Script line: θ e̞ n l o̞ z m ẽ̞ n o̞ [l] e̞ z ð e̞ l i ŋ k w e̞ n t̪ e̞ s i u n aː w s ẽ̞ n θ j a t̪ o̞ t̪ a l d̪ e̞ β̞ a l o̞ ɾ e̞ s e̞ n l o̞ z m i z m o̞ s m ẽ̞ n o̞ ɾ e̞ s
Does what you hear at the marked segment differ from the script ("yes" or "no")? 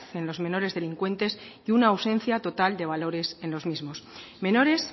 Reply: yes